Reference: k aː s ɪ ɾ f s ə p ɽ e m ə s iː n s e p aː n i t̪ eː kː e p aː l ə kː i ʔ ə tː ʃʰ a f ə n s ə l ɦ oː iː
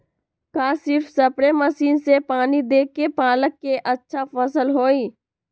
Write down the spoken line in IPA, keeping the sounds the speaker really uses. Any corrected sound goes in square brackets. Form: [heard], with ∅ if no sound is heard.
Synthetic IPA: k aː s ɪ ɾ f s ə p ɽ e m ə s iː n s e p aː n i [d̪] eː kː e p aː l ə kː [e] ʔ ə tː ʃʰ a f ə [∅] s ə l ɦ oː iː